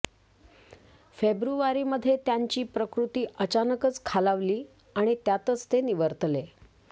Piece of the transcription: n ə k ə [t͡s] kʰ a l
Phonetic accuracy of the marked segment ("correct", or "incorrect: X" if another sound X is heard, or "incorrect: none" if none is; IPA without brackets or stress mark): correct